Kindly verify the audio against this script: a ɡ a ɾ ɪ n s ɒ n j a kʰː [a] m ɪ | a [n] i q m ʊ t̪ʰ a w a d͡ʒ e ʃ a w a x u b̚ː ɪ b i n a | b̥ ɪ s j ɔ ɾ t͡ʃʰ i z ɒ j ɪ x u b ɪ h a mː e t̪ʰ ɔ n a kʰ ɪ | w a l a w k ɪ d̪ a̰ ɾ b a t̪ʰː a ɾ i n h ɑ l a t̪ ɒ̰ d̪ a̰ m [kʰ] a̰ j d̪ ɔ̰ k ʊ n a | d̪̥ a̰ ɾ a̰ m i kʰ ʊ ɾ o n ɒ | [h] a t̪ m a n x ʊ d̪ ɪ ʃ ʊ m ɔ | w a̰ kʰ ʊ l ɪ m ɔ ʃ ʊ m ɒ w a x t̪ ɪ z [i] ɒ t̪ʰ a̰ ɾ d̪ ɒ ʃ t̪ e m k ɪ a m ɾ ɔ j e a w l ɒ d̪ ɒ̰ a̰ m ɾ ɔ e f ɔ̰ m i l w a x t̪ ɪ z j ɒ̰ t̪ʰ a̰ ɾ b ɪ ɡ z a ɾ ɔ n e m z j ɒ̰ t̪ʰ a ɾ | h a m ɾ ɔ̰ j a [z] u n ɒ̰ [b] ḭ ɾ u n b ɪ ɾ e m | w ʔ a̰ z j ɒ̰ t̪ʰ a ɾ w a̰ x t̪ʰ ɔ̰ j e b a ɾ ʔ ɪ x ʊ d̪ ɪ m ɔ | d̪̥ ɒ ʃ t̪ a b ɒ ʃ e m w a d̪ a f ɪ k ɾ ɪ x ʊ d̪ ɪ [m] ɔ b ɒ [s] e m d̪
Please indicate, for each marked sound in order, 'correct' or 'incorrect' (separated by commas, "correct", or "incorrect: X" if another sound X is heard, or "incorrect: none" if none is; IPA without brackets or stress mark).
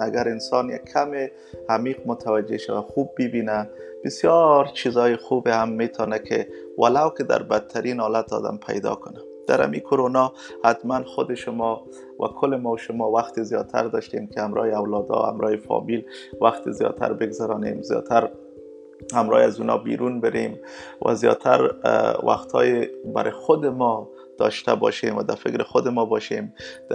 correct, incorrect: m, incorrect: pʰ, correct, incorrect: j, correct, correct, correct, incorrect: ʃ